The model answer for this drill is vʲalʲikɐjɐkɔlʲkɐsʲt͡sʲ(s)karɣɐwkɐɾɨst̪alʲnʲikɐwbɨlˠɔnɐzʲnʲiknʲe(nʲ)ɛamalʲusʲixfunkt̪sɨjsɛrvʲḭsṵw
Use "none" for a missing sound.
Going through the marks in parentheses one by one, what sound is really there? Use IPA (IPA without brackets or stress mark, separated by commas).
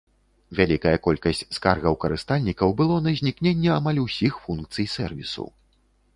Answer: s, nʲː